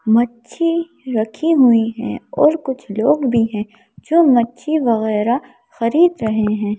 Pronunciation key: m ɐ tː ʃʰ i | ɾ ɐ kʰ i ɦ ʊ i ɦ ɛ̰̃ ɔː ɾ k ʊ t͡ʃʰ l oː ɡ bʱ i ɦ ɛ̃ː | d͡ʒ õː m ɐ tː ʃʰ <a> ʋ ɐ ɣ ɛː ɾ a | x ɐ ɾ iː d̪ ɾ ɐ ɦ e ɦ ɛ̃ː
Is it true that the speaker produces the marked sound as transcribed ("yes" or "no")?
no